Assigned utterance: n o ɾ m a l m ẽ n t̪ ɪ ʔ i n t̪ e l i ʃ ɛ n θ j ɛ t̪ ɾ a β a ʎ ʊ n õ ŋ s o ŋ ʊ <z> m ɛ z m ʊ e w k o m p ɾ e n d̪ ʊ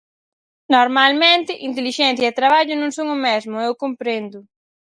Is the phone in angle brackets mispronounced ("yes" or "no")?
yes